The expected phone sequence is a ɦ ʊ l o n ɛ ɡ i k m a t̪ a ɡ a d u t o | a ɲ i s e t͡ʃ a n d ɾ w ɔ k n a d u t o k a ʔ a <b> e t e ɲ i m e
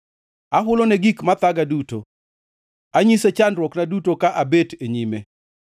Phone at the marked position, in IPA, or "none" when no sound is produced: b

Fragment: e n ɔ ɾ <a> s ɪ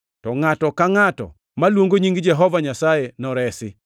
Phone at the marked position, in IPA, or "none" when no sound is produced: ɛ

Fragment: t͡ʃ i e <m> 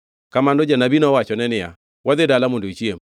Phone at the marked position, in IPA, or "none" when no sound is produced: m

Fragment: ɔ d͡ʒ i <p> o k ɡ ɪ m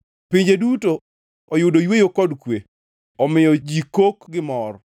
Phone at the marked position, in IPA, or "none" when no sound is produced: k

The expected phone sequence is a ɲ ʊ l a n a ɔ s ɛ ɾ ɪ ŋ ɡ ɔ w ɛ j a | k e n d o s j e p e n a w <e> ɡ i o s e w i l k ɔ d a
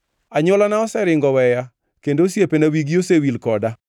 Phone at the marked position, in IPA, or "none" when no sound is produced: i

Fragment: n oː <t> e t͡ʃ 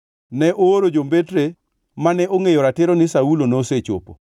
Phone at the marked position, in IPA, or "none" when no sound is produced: s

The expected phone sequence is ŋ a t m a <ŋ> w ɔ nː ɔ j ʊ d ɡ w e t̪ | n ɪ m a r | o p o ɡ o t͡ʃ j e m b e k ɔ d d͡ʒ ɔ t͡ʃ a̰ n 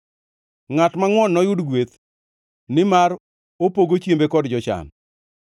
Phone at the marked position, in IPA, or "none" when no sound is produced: ŋ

